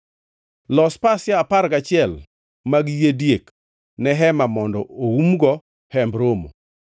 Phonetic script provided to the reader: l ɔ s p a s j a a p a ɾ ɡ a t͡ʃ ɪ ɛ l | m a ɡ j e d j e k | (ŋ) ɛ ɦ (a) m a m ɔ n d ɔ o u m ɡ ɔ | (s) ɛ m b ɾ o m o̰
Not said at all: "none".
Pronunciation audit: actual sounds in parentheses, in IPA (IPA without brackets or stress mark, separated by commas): n, ɛ, h